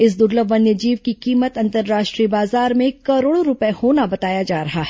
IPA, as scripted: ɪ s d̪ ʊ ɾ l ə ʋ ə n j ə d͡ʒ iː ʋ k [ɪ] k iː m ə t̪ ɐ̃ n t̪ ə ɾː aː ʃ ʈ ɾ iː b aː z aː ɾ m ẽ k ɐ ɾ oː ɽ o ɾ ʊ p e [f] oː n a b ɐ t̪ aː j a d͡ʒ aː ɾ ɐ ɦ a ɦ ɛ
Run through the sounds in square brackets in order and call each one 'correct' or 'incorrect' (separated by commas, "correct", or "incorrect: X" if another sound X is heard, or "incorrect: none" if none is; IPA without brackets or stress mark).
incorrect: i, incorrect: h